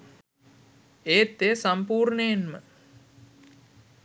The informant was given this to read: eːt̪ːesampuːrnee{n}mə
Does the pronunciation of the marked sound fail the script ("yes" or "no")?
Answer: no